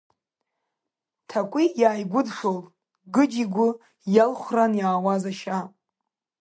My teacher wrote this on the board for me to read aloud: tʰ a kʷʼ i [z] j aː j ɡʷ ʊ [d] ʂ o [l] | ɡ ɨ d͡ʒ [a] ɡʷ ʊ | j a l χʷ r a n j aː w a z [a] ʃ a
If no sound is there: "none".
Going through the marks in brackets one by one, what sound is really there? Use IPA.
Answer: none, d, l, i, a

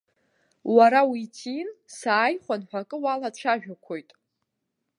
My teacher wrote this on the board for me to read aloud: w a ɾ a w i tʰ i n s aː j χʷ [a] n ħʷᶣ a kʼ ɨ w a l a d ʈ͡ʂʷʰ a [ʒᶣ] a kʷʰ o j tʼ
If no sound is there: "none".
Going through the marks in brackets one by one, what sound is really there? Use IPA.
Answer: a, ʒᶣ

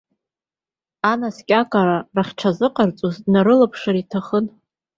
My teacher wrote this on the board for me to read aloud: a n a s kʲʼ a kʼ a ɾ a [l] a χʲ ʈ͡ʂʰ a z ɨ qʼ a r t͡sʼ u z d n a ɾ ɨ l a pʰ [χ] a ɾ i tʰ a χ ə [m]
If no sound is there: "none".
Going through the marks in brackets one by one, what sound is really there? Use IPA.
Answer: r, ʂ, n

